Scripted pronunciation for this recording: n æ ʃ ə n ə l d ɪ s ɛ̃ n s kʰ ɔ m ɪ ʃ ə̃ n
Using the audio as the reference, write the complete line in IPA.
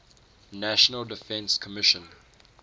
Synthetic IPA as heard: n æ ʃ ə n ə l d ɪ f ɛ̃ n s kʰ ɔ m ɪ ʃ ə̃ n